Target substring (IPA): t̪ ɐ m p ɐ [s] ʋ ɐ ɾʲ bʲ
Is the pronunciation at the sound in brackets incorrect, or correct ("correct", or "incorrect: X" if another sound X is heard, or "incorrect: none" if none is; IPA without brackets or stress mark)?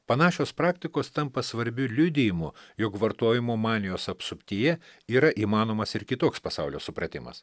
correct